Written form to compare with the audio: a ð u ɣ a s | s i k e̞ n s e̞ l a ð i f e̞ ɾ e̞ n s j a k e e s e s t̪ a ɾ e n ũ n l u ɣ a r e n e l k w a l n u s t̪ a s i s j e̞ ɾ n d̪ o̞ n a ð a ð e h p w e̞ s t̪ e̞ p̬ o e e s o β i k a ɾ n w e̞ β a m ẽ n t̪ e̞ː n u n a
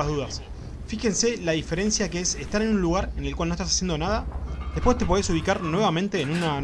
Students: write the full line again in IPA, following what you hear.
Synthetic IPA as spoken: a ð u ð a s | f i x e̞ n s e̞ l a ð i f e̞ ɾ e̞ n s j a k e e s e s t̪ a ɾ e n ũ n l u ɣ a ɾ e n e l k w a l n o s t̪ a s a s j e̞ n d̪ o̞ n a ð a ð e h p w e̞ s t̪ e̞ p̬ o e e s u β i k a ɾ n w e̞ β a m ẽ n t̪ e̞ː n u n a